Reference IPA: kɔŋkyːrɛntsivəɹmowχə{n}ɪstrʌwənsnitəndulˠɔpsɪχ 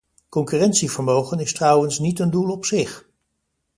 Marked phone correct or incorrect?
correct